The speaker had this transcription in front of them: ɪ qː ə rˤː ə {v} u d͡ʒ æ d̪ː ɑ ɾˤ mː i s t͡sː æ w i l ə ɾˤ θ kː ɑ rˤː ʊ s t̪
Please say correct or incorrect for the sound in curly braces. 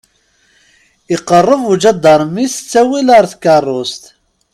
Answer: correct